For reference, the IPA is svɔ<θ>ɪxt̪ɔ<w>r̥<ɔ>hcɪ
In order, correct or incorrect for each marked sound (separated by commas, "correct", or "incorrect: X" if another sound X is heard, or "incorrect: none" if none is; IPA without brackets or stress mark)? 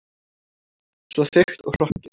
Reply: correct, incorrect: ɣ, correct